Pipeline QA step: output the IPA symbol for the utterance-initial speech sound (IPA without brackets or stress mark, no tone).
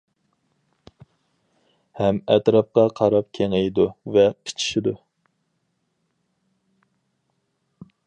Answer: h